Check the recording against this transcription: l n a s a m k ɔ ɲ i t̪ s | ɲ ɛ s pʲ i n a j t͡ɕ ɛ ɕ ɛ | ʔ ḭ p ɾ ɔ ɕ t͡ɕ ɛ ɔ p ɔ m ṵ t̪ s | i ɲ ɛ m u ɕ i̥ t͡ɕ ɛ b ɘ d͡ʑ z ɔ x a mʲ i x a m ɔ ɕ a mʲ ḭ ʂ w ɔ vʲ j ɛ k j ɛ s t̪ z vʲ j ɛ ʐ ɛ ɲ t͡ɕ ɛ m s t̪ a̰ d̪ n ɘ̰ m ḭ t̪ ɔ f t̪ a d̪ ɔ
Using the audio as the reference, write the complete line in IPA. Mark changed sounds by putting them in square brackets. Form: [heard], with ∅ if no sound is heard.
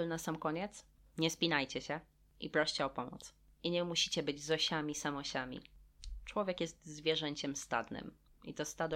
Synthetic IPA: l n a s a m k ɔ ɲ [ɛ] t̪ s | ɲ ɛ s pʲ i n a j t͡ɕ ɛ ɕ ɛ | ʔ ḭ p ɾ ɔ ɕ t͡ɕ ɛ ɔ p ɔ m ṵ t̪ s | i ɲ ɛ m u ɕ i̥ t͡ɕ ɛ b ɘ d͡ʑ z ɔ [ɕ] a mʲ i [s] a m ɔ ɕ a mʲ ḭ [t͡ʂ] w ɔ vʲ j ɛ k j ɛ s t̪ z vʲ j ɛ ʐ ɛ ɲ t͡ɕ ɛ m s t̪ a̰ d̪ n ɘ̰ m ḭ t̪ ɔ [s] t̪ a d̪ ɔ